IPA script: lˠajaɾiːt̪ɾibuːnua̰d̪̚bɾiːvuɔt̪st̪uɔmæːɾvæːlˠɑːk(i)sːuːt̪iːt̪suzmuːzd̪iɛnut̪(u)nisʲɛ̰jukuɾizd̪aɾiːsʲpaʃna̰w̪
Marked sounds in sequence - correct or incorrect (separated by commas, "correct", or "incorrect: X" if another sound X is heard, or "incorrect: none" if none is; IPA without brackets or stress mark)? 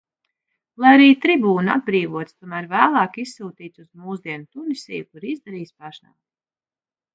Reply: correct, correct